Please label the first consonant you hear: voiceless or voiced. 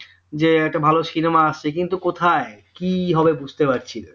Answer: voiced